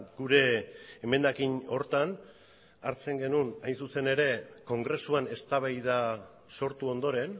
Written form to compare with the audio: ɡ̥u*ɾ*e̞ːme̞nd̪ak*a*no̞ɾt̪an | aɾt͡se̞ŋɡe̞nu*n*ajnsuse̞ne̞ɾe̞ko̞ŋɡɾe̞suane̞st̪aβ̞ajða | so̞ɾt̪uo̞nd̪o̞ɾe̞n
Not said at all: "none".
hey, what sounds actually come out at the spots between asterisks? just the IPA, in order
ɾ, i, n

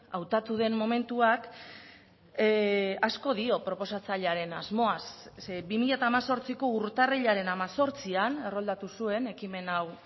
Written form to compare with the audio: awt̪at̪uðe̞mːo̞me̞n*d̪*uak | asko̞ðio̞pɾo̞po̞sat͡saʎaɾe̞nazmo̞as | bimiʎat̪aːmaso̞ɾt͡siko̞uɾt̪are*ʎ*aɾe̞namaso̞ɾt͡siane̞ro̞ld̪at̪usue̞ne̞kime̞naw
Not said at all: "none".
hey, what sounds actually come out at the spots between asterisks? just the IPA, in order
t̪, ʎ

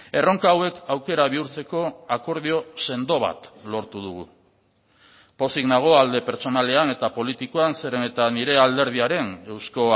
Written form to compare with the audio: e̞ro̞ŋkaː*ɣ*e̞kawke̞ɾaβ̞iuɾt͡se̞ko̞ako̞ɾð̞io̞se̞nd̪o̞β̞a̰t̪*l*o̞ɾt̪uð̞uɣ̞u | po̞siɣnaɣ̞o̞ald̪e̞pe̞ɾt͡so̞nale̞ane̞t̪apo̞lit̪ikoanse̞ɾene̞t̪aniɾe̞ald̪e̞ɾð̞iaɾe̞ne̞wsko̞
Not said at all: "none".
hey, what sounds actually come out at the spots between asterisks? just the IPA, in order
w, l

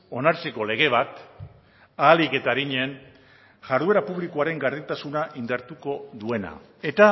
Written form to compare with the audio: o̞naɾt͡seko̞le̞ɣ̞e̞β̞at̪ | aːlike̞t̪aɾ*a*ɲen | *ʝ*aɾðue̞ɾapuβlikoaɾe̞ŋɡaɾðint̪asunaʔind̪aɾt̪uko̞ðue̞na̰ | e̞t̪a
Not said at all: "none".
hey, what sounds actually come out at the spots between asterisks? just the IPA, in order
i, ʝ

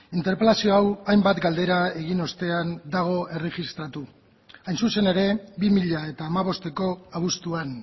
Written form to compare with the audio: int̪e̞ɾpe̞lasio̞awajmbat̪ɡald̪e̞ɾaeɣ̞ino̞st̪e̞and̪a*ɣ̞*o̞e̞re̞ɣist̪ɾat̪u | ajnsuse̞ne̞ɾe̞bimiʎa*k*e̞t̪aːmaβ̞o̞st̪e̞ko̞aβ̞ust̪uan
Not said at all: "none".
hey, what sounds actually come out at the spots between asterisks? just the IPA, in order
ɣ̞, none

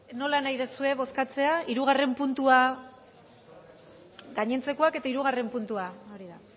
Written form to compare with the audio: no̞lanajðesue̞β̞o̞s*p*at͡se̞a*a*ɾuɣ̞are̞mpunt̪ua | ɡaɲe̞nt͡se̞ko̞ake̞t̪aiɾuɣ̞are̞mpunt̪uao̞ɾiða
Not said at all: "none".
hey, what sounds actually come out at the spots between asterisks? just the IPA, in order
k, i

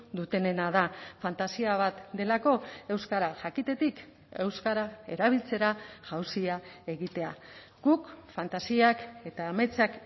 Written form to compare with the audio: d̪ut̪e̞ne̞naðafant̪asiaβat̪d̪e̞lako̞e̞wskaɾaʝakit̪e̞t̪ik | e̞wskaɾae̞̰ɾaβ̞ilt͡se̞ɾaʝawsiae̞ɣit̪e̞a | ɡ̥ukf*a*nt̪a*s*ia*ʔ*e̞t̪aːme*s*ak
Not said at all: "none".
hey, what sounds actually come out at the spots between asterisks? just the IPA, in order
a, s, k, t͡s

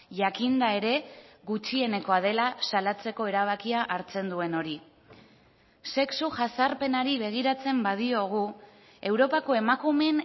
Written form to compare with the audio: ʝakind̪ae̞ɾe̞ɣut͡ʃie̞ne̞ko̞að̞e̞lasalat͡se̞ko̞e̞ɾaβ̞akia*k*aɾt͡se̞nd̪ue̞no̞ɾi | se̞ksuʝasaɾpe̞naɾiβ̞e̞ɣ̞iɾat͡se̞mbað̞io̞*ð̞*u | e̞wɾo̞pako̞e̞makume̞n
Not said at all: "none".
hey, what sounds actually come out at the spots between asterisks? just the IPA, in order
ʔ, ɣ̞

